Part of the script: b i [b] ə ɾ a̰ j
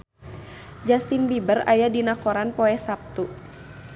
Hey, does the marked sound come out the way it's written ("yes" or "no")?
yes